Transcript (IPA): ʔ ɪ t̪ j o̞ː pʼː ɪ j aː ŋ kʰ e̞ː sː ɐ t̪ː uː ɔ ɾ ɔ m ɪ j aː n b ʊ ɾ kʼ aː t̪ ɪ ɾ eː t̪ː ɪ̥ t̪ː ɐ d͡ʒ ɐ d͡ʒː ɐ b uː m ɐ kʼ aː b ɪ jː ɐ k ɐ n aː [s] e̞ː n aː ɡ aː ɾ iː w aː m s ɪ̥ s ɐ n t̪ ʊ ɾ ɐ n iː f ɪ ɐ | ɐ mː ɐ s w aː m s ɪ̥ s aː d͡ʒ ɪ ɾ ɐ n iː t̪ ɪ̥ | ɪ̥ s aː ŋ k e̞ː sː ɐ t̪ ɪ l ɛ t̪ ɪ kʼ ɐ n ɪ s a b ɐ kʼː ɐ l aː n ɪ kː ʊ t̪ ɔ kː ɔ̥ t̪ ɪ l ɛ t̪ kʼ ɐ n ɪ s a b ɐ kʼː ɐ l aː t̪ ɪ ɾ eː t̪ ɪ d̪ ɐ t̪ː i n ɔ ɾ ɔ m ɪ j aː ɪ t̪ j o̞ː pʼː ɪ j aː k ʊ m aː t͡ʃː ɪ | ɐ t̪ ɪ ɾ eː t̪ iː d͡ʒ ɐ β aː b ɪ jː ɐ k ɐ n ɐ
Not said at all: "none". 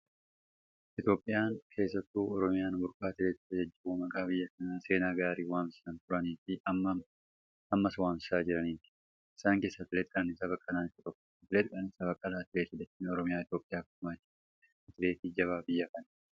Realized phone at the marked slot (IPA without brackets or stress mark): s